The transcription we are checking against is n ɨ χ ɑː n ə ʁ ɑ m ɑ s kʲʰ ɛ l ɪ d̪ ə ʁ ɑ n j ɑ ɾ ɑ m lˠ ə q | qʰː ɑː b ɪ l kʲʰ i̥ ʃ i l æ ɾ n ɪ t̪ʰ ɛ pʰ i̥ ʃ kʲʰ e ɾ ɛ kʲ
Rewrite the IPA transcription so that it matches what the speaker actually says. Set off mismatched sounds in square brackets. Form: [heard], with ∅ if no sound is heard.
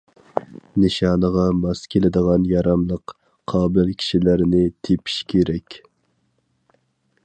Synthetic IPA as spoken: n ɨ [ʃ] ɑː n ə ʁ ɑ m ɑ s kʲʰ [e] l ɪ d̪ ə ʁ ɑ n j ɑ ɾ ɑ m lˠ ə q | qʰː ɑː b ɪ l kʲʰ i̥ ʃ i l æ ɾ n ɪ t̪ʰ [e] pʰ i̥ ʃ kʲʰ e ɾ ɛ kʲ

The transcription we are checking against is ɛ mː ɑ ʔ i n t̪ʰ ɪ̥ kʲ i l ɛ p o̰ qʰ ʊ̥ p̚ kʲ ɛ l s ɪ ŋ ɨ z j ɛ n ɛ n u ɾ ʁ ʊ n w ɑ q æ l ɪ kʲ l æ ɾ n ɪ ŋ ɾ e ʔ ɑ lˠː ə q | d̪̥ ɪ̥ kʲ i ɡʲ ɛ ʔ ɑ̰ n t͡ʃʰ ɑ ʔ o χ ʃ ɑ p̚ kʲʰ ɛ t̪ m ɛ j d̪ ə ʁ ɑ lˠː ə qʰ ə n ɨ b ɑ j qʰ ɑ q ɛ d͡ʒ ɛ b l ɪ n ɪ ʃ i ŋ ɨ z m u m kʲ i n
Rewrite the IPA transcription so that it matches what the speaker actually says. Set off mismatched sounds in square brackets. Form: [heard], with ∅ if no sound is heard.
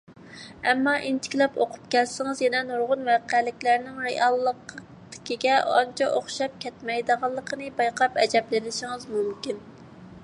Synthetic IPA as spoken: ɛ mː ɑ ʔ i n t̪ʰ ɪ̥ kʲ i l ɛ p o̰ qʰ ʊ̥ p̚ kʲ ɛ l s ɪ ŋ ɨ z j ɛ n ɛ n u ɾ ʁ ʊ n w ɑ q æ l ɪ kʲ l æ ɾ n ɪ ŋ ɾ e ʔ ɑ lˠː ə q | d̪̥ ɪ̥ kʲ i ɡʲ ɛ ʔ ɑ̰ n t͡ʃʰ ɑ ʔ o χ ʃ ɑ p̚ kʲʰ ɛ t̪ m ɛ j d̪ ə ʁ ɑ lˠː ə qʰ ə n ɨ b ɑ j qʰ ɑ [p] ɛ d͡ʒ ɛ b l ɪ n ɪ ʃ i ŋ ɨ z m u m kʲ i n

